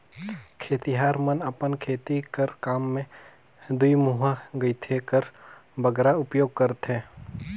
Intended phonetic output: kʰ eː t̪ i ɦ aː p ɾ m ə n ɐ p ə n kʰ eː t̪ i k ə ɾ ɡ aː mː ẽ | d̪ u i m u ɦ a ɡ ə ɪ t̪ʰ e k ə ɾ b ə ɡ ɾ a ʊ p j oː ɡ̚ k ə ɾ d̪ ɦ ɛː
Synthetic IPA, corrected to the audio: kʰ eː t̪ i ɦ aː ɾ m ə n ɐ p ə n kʰ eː t̪ i k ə ɾ k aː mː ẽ | d̪ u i m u ɦ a ɡ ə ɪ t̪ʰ e k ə ɾ b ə ɡ ɾ a ʊ p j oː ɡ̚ k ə ɾ t̪ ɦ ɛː